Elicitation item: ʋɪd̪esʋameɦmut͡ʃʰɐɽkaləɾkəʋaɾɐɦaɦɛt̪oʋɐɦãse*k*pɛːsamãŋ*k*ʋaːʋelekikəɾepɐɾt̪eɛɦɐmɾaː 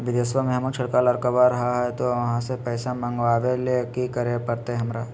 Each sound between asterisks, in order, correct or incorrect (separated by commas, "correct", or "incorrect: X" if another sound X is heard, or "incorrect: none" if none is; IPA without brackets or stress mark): incorrect: none, incorrect: ɡ